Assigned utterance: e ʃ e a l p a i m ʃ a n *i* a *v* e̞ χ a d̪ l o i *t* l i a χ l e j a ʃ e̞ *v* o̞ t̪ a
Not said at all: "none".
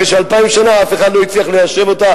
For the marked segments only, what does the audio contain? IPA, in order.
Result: a, f, t͡s, v

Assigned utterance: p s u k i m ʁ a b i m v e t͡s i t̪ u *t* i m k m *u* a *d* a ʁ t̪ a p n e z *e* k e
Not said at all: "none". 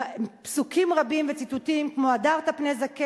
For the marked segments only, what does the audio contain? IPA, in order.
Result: t, o, d, a

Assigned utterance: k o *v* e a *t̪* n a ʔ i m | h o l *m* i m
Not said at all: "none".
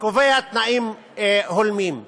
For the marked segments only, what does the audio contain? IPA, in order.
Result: v, t̪, m

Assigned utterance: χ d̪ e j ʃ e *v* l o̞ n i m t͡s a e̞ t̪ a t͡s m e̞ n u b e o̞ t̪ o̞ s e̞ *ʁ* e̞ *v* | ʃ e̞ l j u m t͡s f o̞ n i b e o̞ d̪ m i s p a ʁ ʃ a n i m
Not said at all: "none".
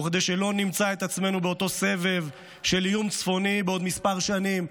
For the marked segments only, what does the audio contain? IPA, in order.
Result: none, v, v

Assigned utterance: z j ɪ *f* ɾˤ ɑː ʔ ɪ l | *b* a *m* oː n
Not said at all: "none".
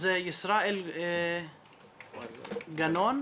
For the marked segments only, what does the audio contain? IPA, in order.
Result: s, ɡ, n

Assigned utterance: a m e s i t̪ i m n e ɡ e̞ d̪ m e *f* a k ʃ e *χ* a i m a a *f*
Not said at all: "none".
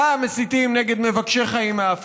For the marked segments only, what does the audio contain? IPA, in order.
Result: v, χ, f

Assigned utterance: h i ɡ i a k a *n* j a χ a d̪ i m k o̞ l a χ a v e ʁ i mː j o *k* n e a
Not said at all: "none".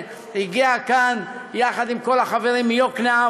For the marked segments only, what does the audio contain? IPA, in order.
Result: n, k

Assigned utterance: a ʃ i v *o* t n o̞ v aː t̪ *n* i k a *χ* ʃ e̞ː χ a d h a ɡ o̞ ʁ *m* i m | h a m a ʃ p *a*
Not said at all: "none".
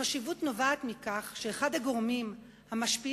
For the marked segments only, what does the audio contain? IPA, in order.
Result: u, m, χ, m, i

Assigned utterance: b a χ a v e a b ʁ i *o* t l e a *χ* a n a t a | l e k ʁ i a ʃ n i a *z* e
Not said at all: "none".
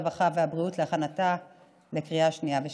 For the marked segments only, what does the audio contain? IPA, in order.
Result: u, χ, v

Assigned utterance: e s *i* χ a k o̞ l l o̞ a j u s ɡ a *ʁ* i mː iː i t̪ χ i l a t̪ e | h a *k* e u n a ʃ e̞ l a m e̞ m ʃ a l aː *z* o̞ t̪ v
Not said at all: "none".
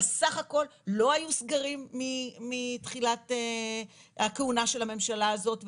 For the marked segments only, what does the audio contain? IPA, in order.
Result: a, ʁ, k, z

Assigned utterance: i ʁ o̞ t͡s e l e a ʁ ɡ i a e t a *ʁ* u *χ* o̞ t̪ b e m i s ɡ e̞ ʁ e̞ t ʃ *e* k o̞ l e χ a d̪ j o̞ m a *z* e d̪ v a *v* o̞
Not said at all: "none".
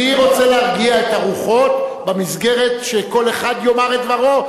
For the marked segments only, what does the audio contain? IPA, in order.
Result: ʁ, χ, e, ʁ, ʁ

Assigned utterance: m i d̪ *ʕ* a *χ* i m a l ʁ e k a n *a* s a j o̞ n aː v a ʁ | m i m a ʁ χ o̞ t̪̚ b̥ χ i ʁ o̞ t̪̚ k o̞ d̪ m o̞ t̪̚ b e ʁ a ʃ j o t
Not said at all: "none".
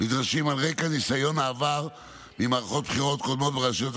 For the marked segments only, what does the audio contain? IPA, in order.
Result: ʁ, ʃ, i

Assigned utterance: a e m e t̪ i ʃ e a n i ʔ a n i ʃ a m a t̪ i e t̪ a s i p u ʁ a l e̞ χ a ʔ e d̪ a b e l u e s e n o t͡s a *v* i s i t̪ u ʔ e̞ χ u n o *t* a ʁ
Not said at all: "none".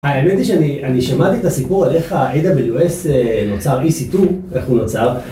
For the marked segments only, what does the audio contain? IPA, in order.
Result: ʁ, t͡s

